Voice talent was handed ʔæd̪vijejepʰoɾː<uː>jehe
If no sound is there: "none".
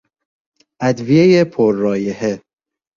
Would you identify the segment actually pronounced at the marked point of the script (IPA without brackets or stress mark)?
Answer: ɒː